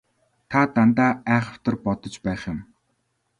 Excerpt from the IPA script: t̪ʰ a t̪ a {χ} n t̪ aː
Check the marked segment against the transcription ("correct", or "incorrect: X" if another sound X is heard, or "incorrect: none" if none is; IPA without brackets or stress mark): incorrect: none